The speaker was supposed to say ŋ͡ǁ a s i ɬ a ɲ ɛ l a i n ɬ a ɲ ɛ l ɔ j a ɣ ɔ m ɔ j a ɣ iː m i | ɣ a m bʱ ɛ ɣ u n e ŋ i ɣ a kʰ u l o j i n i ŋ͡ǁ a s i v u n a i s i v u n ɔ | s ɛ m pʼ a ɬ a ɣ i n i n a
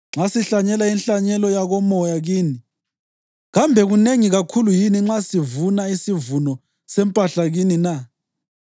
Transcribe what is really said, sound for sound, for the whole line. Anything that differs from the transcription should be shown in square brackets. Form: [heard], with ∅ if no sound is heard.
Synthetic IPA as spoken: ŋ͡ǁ a s i ɬ a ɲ ɛ l a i n ɬ a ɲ ɛ l ɔ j a ɣ ɔ m ɔ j a ɣ iː [n] i | ɣ a m bʱ ɛ ɣ u n e ŋ i ɣ a kʰ u l [u] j i n i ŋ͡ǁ a s i v u n a i s i v u n ɔ | s ɛ m pʼ a ɬ a ɣ i n i n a